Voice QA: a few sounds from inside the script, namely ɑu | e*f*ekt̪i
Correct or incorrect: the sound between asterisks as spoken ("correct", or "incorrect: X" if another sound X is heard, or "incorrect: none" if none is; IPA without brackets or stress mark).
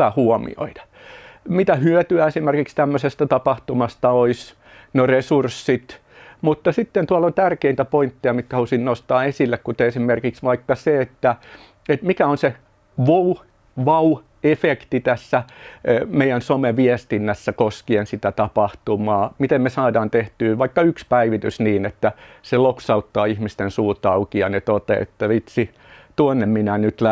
correct